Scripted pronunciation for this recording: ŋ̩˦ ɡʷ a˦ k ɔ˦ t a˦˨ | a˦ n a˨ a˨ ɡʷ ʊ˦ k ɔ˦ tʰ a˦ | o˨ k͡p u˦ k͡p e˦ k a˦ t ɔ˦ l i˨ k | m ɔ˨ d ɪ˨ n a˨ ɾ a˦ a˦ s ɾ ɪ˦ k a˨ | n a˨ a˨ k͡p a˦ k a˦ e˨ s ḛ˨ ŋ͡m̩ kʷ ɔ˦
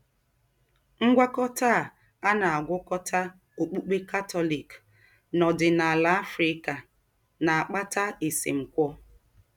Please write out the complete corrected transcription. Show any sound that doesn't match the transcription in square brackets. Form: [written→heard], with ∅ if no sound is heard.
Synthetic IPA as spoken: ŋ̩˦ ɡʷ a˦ k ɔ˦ t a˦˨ | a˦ n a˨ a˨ ɡʷ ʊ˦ k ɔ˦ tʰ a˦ | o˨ k͡p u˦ k͡p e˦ k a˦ t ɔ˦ l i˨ k | [m→n] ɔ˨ d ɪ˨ n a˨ [ɾ→l] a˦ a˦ [s→f] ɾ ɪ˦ k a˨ | n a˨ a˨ k͡p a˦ [k→t] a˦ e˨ s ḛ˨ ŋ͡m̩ kʷ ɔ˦